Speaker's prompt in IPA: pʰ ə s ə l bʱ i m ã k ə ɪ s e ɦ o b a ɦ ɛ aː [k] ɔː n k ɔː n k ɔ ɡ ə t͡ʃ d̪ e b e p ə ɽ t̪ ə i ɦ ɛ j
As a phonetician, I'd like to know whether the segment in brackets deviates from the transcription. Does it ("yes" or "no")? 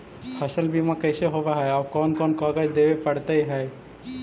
no